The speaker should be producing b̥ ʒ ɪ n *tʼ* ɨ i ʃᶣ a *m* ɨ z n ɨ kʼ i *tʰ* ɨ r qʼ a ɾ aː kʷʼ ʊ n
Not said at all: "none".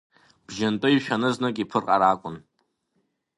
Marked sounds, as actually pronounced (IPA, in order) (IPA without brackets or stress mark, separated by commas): tʼ, n, pʰ